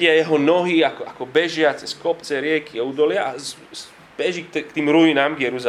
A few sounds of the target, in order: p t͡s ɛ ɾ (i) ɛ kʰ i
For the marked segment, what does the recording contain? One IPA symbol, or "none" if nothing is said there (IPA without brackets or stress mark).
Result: ɪ